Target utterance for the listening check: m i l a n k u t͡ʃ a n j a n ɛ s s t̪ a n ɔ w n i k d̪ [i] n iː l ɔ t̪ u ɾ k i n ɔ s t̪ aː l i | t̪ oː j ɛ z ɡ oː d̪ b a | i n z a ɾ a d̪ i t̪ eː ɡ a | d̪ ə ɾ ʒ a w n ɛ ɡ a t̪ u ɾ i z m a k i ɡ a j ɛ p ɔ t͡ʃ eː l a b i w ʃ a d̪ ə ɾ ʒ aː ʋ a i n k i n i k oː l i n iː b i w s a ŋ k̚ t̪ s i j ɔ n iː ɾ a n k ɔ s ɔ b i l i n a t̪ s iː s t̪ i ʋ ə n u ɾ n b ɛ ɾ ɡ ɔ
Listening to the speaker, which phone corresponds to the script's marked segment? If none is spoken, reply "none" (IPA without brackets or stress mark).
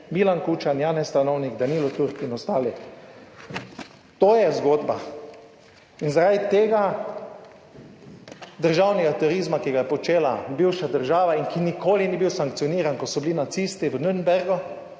a